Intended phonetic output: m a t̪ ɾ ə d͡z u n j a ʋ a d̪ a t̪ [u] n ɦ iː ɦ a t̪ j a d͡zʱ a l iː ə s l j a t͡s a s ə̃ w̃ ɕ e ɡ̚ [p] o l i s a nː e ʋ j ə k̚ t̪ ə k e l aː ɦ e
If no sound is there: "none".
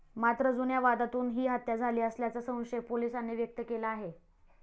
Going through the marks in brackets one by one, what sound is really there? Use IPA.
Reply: uː, p

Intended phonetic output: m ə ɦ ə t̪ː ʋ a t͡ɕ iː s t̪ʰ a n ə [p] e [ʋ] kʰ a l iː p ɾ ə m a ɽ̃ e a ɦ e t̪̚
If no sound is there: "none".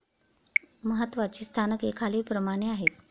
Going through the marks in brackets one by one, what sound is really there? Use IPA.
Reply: k, none

